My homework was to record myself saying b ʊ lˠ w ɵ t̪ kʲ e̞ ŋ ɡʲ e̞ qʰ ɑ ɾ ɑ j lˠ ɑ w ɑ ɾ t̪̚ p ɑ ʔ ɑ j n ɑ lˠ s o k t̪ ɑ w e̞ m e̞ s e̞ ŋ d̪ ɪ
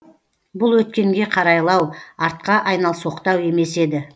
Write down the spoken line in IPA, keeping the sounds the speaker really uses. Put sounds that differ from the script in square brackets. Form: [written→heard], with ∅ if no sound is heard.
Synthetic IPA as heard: b ʊ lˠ w ɵ t̪ kʲ e̞ ŋ ɡʲ e̞ qʰ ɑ ɾ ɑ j lˠ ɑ w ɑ ɾ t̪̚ [p→q] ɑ ʔ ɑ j n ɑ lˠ s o [k→q] t̪ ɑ w e̞ m e̞ s e̞ [ŋ→∅] d̪ ɪ